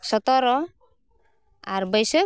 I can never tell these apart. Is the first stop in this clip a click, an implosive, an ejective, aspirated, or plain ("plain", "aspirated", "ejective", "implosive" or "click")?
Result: plain